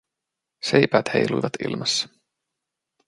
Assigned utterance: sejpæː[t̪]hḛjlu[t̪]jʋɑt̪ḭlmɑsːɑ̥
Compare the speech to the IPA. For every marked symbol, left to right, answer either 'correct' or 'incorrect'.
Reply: correct, incorrect

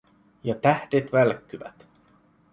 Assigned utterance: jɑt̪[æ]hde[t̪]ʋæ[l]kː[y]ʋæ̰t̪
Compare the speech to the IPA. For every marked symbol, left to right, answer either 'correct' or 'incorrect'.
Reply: correct, correct, correct, correct

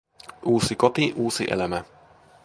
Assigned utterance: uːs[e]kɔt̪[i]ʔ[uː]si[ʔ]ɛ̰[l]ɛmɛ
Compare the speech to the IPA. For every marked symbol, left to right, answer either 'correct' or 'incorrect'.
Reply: incorrect, correct, correct, correct, correct

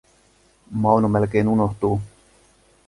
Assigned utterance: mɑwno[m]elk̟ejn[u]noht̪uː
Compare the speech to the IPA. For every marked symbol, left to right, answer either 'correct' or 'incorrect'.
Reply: correct, correct

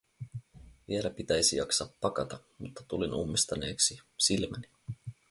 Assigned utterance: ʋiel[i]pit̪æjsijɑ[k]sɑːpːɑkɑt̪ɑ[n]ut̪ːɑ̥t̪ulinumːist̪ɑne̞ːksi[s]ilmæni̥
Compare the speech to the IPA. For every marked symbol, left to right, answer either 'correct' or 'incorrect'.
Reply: incorrect, correct, incorrect, correct

